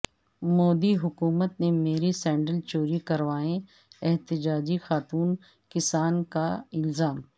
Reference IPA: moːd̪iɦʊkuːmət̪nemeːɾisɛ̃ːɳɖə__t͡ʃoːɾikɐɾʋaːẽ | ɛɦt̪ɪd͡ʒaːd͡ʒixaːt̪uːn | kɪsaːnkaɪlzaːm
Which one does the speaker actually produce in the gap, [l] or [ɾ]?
l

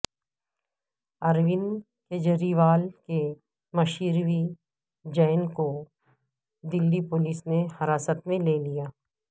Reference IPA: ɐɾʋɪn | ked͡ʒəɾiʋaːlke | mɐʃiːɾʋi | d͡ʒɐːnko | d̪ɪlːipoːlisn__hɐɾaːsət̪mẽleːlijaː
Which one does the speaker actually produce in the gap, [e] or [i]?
e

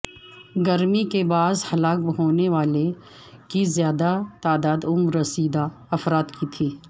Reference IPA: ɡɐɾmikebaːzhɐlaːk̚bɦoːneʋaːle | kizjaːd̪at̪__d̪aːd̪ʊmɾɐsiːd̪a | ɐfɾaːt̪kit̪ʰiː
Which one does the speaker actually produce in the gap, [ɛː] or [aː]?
aː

